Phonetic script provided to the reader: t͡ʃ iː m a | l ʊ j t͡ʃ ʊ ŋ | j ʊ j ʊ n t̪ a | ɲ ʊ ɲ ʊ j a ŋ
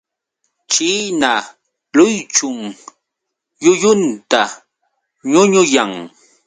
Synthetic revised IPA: t͡ʃ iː n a | l ʊ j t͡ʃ ʊ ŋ | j ʊ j ʊ n t̪ a | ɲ ʊ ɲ ʊ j a ŋ